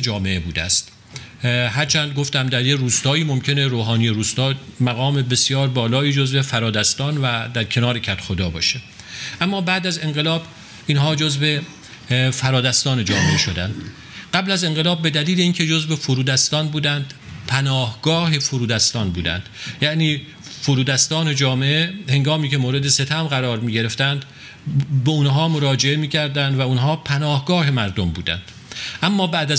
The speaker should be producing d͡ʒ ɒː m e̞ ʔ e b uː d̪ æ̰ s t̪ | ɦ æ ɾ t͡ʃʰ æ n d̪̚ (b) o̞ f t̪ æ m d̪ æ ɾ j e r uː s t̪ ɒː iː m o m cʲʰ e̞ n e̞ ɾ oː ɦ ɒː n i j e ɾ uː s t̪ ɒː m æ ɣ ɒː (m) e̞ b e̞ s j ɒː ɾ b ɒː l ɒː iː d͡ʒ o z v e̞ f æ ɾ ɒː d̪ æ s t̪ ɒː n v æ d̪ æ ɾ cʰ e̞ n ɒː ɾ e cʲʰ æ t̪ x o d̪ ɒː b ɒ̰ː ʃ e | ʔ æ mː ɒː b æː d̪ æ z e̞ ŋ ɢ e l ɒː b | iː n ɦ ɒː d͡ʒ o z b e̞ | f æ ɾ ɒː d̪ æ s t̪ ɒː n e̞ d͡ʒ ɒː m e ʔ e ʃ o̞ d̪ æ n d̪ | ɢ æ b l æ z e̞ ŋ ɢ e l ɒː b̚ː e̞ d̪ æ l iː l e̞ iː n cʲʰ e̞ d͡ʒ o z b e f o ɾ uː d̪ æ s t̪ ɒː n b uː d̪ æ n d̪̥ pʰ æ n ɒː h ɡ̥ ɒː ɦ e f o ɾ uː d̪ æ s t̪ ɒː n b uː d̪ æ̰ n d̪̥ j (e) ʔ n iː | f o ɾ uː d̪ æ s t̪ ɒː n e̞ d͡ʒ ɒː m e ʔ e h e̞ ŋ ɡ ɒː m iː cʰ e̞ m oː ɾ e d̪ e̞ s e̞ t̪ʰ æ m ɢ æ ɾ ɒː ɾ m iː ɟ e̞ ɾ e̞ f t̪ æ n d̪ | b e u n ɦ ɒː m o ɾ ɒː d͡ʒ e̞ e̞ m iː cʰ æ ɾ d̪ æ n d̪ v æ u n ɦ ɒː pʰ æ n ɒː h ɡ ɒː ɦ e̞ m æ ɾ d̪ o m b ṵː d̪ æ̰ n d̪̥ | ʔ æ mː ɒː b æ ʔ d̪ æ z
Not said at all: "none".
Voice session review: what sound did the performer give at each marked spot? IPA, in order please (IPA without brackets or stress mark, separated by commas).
ɡ, m, æ